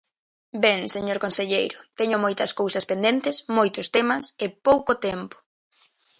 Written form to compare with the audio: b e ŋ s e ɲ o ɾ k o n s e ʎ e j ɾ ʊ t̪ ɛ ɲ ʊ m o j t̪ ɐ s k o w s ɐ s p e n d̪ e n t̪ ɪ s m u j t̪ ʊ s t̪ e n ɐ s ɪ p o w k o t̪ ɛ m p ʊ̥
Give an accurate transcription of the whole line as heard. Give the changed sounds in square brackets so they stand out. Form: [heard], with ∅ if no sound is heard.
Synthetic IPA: b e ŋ s e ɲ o ɾ k o n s e ʎ e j ɾ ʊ t̪ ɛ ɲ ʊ m o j t̪ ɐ s k o w s ɐ s p e n d̪ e n t̪ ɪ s m [o] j t̪ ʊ s t̪ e [m] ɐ s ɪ p o w k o t̪ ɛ m p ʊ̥